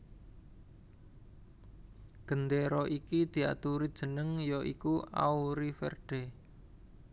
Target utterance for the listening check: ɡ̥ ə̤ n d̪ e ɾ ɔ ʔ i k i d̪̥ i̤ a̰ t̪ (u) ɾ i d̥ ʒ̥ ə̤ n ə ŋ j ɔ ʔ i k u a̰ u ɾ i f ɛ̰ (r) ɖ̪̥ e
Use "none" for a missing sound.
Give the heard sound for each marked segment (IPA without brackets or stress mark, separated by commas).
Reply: u, r